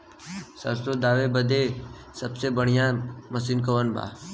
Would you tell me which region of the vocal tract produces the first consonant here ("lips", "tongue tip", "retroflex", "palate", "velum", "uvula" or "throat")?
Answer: tongue tip